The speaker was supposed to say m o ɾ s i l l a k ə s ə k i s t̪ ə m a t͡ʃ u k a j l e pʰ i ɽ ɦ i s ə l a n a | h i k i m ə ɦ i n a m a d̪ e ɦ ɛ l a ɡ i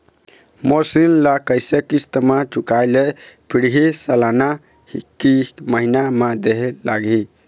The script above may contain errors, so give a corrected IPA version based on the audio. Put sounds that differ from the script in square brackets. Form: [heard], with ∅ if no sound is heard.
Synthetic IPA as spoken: m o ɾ s i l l a k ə s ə k i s t̪ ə m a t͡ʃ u k a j l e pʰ i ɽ ɦ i s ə l a n a | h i k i m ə ɦ i n a m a d̪ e ɦ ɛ l a ɡ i